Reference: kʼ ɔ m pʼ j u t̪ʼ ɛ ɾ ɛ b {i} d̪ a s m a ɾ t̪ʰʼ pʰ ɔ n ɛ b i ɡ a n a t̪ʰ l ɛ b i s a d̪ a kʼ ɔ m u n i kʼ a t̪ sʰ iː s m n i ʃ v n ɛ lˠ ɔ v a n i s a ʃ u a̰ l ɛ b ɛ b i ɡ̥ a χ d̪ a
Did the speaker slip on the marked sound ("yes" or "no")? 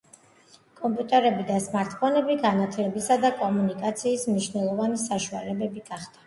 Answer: no